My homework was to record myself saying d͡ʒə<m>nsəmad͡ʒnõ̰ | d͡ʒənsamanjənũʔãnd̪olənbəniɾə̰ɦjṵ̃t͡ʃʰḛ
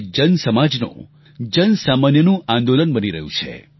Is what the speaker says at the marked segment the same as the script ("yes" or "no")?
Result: no